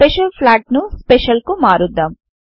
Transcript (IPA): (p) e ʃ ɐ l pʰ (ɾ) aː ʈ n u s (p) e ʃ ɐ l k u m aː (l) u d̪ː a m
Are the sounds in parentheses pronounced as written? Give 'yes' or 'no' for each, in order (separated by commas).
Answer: yes, no, yes, no